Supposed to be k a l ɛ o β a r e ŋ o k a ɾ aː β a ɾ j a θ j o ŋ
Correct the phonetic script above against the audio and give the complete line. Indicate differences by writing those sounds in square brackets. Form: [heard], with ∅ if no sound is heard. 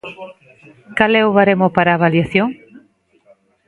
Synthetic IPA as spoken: k a l ɛ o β a [ɾ] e [m] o [p] a ɾ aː β a [l] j a θ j o ŋ

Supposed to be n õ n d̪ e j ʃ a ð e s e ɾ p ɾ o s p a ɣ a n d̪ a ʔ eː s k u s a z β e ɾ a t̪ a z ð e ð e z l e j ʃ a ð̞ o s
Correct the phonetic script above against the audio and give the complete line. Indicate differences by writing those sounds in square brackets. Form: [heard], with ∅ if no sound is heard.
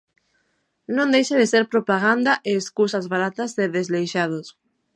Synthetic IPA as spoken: n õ n d̪ e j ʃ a ð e s e ɾ p ɾ o [∅] p a ɣ a n d̪ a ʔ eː s k u s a z β [a] ɾ a t̪ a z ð e ð e z l e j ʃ a ð̞ o s

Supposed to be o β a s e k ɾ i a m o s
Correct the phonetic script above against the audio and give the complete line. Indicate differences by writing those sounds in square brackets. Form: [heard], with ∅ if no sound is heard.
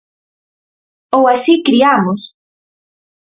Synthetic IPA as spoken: o [w] a s [i] k ɾ i a m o s

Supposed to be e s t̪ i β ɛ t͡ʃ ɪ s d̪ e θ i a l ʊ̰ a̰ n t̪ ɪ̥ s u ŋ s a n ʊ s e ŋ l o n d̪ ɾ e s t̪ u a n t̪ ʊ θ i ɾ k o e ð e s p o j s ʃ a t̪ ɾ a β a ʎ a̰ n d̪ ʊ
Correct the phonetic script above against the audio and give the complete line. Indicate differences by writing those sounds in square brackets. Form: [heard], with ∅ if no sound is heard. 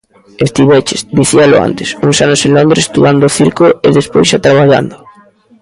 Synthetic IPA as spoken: e s t̪ i β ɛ t͡ʃ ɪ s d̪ [i] θ i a l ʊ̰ a̰ n t̪ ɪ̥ s u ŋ s a n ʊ s e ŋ l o n d̪ ɾ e s t̪ u a n [d̪] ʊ θ i ɾ k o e ð e s p o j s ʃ a t̪ ɾ a β a ʎ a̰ n d̪ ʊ

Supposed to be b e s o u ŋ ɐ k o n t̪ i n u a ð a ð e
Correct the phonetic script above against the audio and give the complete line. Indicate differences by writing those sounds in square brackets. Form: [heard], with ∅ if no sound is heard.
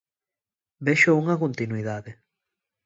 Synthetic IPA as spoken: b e [ʃ] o u ŋ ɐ k o n t̪ i n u [i] ð a ð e

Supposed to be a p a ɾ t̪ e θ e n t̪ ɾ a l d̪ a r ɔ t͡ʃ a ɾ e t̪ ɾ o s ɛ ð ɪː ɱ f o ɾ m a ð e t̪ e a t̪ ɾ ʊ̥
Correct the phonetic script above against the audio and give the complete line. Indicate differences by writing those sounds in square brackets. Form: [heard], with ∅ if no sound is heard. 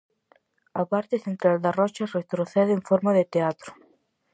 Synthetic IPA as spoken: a p a ɾ t̪ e θ e n t̪ ɾ a l d̪ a r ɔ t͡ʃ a [r] e t̪ ɾ o [θ] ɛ ð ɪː ɱ f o ɾ m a ð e t̪ e a t̪ ɾ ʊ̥

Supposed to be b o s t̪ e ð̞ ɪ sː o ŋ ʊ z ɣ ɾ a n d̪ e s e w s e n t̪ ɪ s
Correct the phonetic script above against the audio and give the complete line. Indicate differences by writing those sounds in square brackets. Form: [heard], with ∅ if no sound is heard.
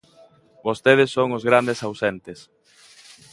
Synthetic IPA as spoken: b o s t̪ e ð̞ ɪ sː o ŋ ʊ z ɣ ɾ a n d̪ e s [a] w s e n t̪ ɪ s

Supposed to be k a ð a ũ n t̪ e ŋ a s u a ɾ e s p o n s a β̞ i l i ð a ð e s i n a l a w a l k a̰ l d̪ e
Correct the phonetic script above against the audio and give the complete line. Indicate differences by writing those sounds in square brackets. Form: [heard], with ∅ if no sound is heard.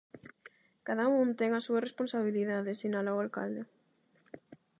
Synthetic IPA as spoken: k a ð a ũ n t̪ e ŋ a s u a [r] e s p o n s a β̞ i l i ð a ð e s i n a l a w a l k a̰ l d̪ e

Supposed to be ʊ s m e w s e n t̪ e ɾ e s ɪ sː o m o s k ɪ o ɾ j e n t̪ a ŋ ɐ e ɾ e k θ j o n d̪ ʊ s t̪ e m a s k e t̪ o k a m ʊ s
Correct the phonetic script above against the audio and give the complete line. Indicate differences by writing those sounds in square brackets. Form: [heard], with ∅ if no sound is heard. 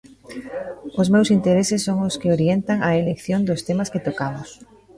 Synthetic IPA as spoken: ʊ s m e w s [i] n t̪ e ɾ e s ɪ sː o [ŋ] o s k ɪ o ɾ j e n t̪ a ŋ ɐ e [l] e k θ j o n d̪ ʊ s t̪ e m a s k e t̪ o k a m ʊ s

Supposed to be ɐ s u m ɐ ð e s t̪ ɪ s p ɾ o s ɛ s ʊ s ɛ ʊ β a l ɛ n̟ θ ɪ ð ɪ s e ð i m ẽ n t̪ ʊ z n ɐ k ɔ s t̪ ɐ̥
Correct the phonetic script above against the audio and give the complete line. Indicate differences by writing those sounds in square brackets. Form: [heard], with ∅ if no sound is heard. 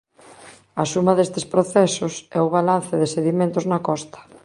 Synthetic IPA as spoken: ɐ s u m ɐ ð e s t̪ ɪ s p ɾ o [θ] ɛ s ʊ s ɛ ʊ β a l [a] n̟ θ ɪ ð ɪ s e ð i m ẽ n t̪ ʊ z n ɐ k ɔ s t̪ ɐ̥

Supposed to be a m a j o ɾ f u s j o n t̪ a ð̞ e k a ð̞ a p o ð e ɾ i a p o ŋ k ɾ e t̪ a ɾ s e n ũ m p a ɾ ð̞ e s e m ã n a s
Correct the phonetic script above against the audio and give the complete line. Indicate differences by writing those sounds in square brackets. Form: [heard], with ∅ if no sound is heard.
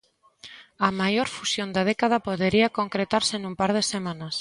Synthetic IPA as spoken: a m a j o ɾ f u s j o n [d̪] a ð̞ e k a ð̞ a p o ð e ɾ i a [k] o ŋ k ɾ e t̪ a ɾ s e n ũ m p a ɾ ð̞ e s e m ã n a s

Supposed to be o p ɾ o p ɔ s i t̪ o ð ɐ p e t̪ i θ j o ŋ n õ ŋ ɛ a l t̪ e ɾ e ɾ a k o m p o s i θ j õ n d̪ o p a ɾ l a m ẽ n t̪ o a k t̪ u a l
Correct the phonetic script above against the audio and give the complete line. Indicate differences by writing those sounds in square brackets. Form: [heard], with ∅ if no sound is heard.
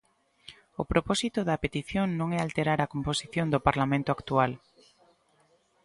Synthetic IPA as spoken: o p ɾ o p ɔ s i t̪ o ð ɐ p e t̪ i θ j o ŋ n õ ŋ ɛ a l t̪ e ɾ [a] ɾ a k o m p o s i θ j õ n d̪ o p a ɾ l a m ẽ n t̪ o a k t̪ u a l

